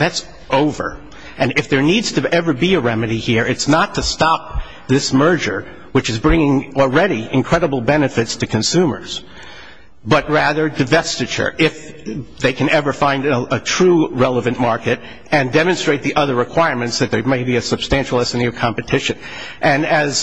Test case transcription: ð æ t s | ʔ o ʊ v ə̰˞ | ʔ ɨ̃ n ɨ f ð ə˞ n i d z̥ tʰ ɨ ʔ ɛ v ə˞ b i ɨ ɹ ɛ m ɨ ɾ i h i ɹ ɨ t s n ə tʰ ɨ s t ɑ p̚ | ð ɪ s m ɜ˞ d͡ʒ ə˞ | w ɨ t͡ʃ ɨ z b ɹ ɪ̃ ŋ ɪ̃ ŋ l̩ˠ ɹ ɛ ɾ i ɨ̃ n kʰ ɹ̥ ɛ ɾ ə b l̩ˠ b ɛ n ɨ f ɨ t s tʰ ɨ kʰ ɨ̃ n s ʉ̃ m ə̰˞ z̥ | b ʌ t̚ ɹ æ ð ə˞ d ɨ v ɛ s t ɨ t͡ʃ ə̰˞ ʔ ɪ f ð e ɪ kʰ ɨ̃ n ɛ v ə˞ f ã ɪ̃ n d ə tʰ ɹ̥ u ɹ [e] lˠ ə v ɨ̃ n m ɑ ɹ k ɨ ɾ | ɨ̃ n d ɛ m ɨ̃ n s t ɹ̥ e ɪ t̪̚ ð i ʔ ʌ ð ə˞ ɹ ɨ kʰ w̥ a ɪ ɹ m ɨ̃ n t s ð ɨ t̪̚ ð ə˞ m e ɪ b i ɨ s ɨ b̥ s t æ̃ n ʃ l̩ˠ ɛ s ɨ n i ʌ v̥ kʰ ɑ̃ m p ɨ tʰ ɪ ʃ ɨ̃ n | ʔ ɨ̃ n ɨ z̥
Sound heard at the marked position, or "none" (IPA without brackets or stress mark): ɛ